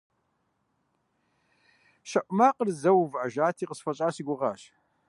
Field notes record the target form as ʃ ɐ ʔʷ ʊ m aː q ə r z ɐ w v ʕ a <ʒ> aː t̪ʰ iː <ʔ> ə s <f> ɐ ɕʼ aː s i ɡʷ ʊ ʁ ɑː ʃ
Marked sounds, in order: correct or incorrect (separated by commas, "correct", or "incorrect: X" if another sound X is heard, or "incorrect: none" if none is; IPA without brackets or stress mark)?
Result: correct, incorrect: q, correct